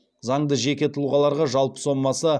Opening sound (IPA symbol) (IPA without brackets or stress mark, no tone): z